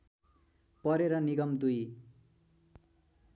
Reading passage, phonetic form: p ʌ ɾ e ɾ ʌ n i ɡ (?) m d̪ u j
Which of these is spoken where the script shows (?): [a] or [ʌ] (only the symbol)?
ʌ